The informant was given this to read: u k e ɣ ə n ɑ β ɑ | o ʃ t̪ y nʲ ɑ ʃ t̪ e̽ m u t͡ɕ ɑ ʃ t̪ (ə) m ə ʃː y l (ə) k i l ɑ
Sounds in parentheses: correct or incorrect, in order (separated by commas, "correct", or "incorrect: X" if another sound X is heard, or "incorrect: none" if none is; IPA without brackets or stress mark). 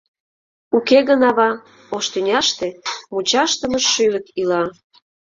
correct, correct